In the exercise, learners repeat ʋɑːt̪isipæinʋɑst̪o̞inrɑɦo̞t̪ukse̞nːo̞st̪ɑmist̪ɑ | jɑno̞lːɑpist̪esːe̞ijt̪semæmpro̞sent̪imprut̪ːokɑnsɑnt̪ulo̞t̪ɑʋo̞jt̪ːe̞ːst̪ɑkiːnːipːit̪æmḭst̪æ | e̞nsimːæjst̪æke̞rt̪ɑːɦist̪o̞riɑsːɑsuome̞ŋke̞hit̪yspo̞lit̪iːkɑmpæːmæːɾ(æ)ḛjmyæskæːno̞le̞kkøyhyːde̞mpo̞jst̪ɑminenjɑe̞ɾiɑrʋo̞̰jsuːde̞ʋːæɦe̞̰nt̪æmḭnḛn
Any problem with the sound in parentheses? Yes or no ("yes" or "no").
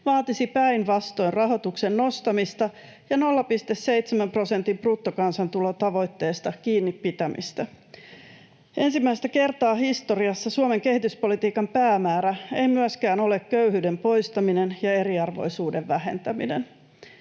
no